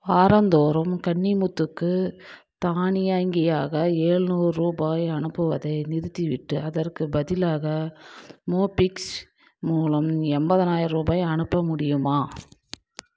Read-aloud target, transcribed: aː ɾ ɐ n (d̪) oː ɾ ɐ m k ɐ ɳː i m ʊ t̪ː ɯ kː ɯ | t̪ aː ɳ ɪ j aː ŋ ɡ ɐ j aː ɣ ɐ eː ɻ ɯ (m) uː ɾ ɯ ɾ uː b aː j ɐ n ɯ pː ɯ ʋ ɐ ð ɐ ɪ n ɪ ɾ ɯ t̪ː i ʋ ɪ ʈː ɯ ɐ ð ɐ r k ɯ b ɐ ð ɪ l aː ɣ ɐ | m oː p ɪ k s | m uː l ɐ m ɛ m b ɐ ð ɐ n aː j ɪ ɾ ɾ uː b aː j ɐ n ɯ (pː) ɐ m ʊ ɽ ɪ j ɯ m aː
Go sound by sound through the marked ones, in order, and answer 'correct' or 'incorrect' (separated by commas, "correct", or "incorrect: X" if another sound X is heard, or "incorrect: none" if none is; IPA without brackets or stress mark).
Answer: correct, incorrect: n, correct